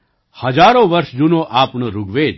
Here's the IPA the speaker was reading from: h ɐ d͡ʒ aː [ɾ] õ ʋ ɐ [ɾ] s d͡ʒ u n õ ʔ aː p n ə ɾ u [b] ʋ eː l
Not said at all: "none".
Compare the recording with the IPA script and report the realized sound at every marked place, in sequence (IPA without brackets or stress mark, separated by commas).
ɾ, ɾ, ɡ